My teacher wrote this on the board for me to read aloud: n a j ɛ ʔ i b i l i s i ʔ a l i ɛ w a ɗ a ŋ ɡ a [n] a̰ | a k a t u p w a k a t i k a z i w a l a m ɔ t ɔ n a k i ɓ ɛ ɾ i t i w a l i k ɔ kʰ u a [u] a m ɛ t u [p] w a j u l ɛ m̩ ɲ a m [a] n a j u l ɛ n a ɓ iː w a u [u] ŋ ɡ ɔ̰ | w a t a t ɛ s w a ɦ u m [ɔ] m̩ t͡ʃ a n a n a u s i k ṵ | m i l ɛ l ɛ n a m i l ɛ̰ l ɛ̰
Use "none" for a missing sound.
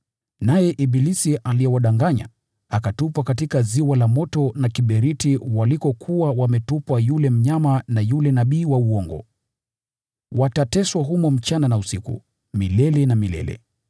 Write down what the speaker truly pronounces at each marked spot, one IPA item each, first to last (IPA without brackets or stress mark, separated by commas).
ɲ, w, p, a, ɔ, ɔ